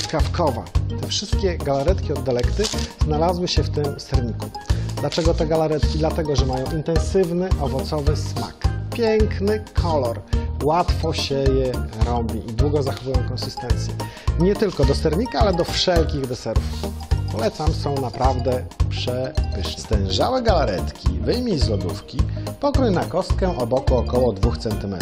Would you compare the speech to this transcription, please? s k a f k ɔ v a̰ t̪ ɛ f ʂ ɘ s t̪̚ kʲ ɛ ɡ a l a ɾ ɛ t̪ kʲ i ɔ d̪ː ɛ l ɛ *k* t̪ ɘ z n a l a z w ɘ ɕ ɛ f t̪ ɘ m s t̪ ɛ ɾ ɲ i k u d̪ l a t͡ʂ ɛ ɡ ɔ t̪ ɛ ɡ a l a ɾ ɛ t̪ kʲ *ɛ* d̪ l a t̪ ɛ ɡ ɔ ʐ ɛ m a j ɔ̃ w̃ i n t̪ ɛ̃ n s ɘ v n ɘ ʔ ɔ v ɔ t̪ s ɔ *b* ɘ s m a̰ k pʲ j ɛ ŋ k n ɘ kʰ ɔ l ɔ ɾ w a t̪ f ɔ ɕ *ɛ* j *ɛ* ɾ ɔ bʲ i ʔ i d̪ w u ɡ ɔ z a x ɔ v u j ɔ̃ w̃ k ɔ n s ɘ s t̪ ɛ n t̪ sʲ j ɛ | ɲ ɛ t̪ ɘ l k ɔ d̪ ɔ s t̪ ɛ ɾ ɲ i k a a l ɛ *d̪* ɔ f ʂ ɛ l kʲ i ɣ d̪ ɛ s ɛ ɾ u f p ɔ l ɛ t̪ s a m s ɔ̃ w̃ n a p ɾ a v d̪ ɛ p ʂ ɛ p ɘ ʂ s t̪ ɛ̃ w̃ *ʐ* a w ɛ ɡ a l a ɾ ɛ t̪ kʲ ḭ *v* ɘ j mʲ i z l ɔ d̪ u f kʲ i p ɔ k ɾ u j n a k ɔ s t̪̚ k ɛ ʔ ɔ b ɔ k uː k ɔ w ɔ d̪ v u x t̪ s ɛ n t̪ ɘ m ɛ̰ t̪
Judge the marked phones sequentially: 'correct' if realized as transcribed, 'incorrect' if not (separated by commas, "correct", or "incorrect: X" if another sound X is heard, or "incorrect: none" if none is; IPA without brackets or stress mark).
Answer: correct, incorrect: i, incorrect: v, correct, correct, correct, correct, correct